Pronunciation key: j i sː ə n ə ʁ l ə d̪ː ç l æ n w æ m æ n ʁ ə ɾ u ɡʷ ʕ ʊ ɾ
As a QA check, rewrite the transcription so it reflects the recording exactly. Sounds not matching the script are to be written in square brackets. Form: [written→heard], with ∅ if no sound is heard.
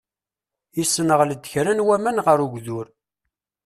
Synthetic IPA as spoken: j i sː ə n ə ʁ l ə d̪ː ç [l→ɾ] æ n w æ m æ n ʁ ə ɾ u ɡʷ [ʕ→ð] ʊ ɾ